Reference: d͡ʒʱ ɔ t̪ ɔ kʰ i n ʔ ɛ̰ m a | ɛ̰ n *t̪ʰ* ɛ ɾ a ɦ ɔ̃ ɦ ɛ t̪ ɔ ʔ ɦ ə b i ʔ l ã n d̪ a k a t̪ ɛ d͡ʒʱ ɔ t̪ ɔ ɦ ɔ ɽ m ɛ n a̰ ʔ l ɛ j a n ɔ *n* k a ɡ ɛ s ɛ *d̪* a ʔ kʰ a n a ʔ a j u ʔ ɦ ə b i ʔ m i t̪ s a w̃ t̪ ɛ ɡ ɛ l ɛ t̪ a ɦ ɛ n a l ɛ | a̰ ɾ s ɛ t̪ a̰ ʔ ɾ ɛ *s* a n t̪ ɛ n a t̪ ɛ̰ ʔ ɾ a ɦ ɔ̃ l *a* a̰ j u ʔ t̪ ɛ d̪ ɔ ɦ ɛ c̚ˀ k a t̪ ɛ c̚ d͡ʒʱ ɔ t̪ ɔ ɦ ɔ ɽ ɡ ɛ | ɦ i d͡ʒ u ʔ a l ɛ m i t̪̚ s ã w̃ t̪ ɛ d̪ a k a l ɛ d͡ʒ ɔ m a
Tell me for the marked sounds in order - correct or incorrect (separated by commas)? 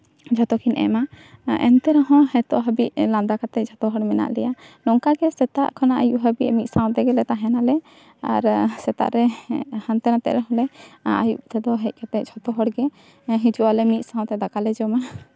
incorrect, incorrect, incorrect, incorrect, incorrect